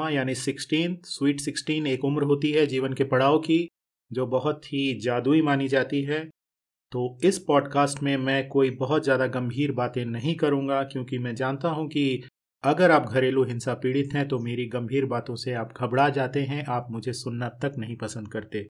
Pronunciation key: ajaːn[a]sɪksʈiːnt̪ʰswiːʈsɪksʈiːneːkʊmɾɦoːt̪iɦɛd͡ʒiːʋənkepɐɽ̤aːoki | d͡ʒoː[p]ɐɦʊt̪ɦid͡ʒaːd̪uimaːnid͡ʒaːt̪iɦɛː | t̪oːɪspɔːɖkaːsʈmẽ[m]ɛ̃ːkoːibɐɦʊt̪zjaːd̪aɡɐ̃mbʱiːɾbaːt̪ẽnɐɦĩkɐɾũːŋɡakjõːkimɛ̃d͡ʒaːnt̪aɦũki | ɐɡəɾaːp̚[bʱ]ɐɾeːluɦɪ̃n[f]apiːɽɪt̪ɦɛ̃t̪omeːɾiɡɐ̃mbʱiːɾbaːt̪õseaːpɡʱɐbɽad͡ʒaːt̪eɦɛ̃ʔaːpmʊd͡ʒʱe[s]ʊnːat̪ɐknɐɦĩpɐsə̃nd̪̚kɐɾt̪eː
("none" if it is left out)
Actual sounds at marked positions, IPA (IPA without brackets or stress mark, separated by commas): i, b, m, ɡʱ, s, s